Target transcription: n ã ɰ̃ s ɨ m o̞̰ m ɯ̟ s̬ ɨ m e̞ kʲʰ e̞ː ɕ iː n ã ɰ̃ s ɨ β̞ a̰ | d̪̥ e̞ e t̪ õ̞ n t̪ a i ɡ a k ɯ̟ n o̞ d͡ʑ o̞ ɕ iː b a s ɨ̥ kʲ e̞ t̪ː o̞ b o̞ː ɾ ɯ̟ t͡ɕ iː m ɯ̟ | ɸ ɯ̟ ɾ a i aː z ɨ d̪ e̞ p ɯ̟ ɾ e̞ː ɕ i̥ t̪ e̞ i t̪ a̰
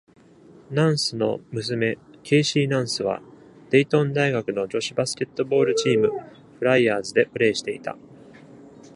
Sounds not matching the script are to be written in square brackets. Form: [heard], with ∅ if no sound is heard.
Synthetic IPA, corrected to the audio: n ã ɰ̃ s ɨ [n] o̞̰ m ɯ̟ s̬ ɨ m e̞ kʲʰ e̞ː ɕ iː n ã ɰ̃ s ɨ β̞ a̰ | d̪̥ e̞ [i] t̪ õ̞ n [d̪] a i ɡ a k ɯ̟ n o̞ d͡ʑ o̞ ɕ [i] b a s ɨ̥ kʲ e̞ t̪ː o̞ b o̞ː ɾ ɯ̟ t͡ɕ iː m ɯ̟ | ɸ ɯ̟ ɾ a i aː z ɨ d̪ e̞ p ɯ̟ ɾ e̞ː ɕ i̥ t̪ e̞ i t̪ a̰